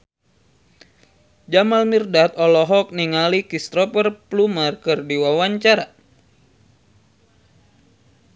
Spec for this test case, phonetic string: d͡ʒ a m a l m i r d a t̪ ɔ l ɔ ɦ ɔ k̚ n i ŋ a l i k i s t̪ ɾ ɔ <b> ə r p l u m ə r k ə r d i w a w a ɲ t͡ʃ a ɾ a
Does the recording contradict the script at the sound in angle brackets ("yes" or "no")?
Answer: yes